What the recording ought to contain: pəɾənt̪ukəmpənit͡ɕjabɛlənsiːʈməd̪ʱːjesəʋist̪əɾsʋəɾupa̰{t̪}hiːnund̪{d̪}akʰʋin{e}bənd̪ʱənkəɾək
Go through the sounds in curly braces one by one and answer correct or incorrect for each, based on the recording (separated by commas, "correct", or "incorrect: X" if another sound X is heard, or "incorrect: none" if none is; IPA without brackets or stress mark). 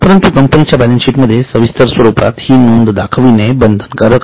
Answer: correct, correct, correct